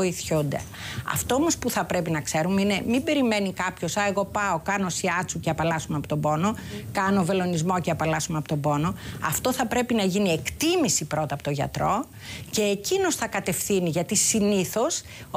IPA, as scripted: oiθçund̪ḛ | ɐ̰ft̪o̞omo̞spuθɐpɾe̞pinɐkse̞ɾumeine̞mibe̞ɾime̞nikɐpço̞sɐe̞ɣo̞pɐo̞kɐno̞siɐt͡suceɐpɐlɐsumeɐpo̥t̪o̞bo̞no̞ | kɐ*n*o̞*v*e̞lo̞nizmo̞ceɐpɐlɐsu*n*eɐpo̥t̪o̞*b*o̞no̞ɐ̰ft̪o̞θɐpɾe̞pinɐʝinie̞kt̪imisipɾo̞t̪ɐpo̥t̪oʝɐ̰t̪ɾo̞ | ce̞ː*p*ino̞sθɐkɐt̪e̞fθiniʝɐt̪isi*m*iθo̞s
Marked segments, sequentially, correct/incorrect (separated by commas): correct, correct, incorrect, correct, incorrect, incorrect